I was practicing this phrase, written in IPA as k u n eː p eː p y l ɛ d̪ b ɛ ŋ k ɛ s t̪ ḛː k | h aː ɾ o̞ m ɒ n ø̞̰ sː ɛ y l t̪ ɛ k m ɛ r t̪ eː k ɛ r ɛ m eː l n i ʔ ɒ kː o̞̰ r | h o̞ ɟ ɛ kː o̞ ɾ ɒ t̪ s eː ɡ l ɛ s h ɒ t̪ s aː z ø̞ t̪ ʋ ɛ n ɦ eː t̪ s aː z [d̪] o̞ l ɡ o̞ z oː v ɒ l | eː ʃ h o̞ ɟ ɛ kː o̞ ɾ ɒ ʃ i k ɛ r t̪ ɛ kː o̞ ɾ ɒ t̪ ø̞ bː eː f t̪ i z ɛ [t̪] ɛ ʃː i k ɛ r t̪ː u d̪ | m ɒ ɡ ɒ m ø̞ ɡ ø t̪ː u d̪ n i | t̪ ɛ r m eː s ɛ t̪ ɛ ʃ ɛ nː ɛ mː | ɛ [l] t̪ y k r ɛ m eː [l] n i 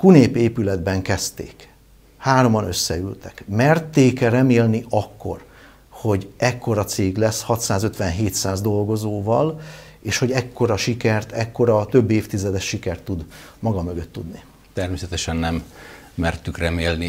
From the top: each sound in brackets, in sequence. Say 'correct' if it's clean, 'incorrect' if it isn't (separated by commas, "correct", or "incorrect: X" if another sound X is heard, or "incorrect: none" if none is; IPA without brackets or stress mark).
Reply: correct, incorrect: d̪, incorrect: r, correct